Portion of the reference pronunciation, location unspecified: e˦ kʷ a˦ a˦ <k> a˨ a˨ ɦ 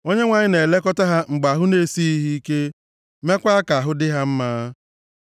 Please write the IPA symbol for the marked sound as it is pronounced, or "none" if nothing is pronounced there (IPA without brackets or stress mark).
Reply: k